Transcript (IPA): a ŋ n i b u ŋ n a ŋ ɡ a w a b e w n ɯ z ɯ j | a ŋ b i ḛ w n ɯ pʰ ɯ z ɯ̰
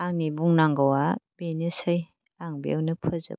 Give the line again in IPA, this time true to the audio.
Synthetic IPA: a ŋ n i b u ŋ n a ŋ ɡ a w a b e n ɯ s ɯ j | a ŋ b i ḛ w n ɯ pʰ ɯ z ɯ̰